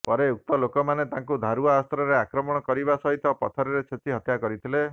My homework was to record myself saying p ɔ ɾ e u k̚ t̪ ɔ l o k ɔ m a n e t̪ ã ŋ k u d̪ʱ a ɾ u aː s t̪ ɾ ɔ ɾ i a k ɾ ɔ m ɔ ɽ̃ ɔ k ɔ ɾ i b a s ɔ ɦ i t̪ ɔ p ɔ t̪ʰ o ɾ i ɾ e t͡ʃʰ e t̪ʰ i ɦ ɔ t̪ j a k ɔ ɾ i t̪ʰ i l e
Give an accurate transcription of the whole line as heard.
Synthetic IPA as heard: p ɔ ɾ e u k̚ t̪ ɔ l o k ɔ m a n e t̪ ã ŋ k u d̪ʱ a ɾ u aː s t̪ ɾ ɔ ɾ e a k ɾ ɔ m ɔ ɽ̃ ɔ k ɔ ɾ i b a s ɔ ɦ i t̪ ɔ p ɔ t̪ʰ ɔ ɾ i ɾ e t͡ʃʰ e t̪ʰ i ɦ ɔ t̪ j a k ɔ ɾ i t̪ʰ i l e